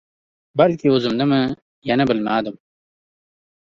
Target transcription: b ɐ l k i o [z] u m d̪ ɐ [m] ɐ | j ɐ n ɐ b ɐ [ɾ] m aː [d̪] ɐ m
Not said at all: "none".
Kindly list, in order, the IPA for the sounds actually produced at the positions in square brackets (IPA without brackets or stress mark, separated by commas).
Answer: z, m, l, d̪